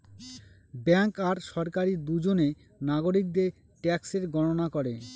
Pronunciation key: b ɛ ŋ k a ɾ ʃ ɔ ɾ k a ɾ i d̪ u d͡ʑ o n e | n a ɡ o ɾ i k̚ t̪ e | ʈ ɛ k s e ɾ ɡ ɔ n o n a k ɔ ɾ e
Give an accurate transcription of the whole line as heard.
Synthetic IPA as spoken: b ɛ ŋ k a ɾ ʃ ɔ ɾ k a ɾ i d̪ u d͡ʑ o n e | n a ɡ o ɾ i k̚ d̪ e | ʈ ɛ k s e ɾ ɡ ɔ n o n a k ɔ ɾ e

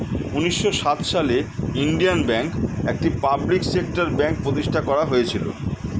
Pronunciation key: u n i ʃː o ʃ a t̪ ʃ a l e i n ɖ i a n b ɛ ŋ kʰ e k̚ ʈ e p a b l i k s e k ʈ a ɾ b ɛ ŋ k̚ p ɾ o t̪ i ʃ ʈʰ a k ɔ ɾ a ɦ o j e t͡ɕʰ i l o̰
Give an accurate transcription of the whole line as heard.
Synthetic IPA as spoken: u n i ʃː o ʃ a t̪ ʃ a l e i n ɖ i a n b ɛ ŋ k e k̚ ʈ i p a b l i k s e k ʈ a ɾ b ɛ ŋ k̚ p ɾ o t̪ i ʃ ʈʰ a k ɔ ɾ a ɦ o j e t͡ɕʰ i l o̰

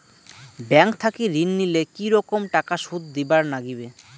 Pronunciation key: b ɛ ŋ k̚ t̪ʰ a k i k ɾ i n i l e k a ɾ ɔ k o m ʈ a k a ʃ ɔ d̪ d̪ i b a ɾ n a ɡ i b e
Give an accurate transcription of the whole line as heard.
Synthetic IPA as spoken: b ɛ ŋ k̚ t̪ʰ a k i ɾ i nː i l e k i ɾ ɔ k o m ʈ a k a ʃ u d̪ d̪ i b a ɾ n a ɡ i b e

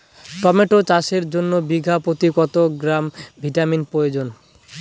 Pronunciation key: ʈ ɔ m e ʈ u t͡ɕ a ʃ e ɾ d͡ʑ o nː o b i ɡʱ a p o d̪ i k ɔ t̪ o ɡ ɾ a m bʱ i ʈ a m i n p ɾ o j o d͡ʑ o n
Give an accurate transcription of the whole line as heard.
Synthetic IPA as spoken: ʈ ɔ m e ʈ o t͡ɕ a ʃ e ɾ d͡ʑ o nː o b i ɡʱ a p o t̪ i k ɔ t̪ o ɡ ɾ a m bʱ i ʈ a m i n p ɾ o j o d͡ʑ o n

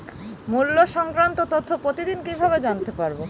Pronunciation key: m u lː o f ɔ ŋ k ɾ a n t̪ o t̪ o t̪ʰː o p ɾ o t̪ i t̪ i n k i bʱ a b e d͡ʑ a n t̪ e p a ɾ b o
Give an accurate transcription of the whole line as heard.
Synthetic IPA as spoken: m u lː o ʃ ɔ ŋ k ɾ a n t̪ o t̪ o t̪ʰː o p ɾ o t̪ i d̪ i n k i bʱ a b e d͡ʑ a n t̪ e p a ɾ b o

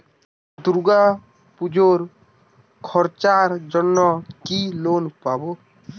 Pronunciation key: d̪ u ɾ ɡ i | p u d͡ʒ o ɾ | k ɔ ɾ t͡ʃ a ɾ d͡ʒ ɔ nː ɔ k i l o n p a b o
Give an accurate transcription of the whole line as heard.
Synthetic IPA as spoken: d̪ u ɾ ɡ a | p u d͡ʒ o ɾ | kʰ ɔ ɾ t͡ʃ a ɾ d͡ʒ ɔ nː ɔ k i l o n p a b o

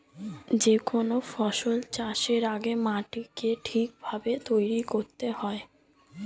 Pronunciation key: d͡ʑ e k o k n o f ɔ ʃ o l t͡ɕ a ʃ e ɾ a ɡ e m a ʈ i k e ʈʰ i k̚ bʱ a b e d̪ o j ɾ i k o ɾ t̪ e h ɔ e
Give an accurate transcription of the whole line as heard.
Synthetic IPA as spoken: d͡ʑ e k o n o f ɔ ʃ o l t͡ɕ a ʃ e ɾ a ɡ e m a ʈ i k e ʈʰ i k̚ bʱ a b e t̪ o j ɾ i k o ɾ t̪ e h ɔ e

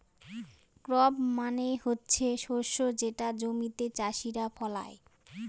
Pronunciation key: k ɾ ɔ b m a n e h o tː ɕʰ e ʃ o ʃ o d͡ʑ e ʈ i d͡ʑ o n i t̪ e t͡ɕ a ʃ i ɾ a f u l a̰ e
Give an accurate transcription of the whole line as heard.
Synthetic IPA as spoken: k ɾ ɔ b m a n e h o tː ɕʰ e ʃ o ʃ o d͡ʑ e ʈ a d͡ʑ o m i t̪ e t͡ɕ a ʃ i ɾ a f ɔ l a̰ e

